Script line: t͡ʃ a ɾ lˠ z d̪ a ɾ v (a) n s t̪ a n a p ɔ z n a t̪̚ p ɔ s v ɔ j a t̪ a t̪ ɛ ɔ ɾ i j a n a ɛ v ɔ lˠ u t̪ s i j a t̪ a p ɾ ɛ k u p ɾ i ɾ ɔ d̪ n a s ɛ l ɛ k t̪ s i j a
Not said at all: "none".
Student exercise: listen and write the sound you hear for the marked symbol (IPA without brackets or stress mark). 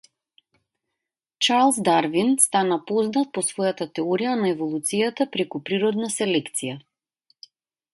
i